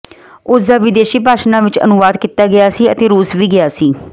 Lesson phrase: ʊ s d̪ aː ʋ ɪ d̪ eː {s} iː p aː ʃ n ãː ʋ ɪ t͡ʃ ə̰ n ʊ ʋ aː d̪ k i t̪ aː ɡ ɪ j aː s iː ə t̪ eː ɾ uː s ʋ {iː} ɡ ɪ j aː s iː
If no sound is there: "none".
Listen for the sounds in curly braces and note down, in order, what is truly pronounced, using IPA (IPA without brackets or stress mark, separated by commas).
ʃ, iː